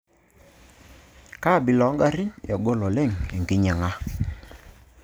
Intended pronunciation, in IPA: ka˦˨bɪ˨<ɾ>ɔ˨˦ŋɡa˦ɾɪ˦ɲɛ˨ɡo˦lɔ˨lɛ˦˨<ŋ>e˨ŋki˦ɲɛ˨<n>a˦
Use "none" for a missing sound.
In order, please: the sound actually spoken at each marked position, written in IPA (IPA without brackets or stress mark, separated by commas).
l, ŋ, ŋ